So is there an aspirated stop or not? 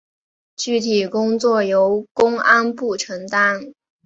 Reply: yes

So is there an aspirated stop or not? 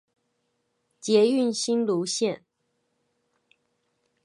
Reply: no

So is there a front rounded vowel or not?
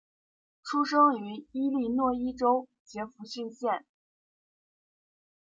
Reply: yes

